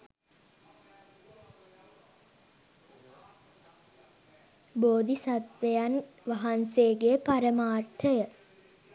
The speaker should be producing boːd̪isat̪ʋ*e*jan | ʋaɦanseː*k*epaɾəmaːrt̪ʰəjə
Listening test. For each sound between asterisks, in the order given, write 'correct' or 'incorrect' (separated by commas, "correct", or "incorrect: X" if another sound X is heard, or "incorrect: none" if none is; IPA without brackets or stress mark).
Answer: correct, incorrect: ɡ